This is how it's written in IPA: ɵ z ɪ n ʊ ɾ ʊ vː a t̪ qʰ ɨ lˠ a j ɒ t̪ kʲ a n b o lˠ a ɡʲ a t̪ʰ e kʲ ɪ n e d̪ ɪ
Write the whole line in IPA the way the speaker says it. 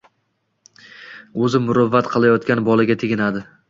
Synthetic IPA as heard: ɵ z ɪ m ʊ ɾ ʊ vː a t̪ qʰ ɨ lˠ a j ɒ t̪ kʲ a n b ɒ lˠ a ɡʲ a t̪ʰ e ɡʲ ɪ n a d̪ ɪ